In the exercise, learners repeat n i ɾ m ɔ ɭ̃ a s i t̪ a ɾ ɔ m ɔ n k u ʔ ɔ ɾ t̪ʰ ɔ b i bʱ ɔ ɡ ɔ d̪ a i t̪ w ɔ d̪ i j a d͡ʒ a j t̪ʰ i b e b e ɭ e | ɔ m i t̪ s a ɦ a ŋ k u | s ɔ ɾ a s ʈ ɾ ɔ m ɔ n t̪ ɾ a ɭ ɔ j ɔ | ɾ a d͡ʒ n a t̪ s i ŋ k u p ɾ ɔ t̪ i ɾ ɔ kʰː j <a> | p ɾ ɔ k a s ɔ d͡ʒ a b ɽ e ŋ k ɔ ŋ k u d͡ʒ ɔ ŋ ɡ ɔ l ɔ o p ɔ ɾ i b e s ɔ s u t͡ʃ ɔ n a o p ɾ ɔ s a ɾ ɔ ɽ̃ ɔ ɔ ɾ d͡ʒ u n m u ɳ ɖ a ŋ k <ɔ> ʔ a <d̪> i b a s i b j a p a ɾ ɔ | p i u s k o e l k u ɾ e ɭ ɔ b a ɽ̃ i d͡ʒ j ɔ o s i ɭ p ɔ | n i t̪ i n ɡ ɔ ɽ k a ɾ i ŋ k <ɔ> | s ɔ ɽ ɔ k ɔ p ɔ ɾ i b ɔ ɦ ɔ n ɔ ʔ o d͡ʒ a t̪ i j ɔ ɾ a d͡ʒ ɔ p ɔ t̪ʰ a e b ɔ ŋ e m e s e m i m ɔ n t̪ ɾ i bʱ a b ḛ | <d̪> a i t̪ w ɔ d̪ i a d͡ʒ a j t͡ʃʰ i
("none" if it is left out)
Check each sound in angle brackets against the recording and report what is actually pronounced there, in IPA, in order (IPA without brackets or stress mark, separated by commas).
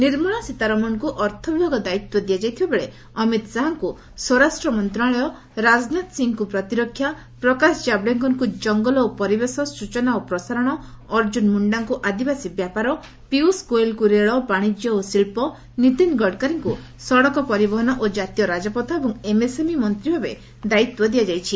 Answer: a, u, d̪, u, d̪